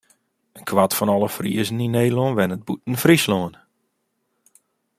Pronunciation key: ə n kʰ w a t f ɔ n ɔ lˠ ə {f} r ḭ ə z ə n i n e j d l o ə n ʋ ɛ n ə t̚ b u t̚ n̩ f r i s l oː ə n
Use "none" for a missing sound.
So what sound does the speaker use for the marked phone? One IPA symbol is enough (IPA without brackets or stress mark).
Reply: f